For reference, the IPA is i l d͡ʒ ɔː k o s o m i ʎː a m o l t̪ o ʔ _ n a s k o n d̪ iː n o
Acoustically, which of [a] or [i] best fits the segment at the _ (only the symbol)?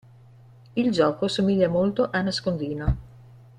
a